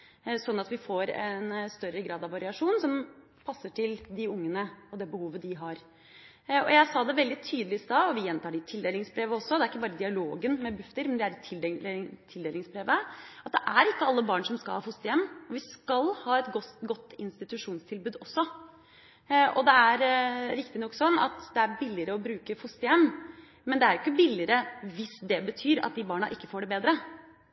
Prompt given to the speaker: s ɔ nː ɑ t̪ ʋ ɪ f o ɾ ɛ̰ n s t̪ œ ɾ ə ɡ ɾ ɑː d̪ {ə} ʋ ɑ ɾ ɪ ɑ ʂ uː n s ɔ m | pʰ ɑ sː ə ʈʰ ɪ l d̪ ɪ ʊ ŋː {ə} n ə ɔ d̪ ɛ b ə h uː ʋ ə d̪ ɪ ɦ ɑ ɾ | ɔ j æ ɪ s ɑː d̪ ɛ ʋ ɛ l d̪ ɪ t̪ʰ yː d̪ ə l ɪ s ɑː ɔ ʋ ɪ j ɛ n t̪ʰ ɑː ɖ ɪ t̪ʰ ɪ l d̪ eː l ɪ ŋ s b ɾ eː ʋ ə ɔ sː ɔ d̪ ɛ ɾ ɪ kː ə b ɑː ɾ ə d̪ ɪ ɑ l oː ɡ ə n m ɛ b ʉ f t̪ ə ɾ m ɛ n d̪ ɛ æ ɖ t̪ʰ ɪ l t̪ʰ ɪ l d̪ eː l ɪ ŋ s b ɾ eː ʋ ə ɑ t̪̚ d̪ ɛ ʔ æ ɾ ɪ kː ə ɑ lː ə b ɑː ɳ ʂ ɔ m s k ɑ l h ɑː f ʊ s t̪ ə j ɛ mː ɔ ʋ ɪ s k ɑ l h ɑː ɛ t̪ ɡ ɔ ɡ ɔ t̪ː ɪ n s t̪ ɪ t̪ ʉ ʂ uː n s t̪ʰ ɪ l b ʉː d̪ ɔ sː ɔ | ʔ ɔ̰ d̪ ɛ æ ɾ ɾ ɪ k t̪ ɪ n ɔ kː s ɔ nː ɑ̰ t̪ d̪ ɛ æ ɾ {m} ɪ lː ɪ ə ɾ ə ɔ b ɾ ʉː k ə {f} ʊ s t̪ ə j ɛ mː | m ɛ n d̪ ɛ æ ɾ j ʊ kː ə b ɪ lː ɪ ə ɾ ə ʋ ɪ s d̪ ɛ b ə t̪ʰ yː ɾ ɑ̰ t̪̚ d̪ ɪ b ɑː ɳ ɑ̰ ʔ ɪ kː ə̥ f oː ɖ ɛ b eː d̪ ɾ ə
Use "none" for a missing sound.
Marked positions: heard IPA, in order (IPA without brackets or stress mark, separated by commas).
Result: ɑ, ə, b, f